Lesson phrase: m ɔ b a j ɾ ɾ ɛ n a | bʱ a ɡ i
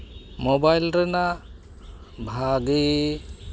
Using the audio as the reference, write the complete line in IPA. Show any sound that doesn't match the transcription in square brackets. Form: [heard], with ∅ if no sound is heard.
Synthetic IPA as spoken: m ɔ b a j [l] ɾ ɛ n a | bʱ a ɡ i